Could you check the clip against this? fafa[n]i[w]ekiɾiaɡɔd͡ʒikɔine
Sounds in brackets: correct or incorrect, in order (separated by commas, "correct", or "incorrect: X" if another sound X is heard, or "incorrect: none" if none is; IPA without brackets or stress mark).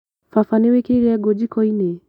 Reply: correct, correct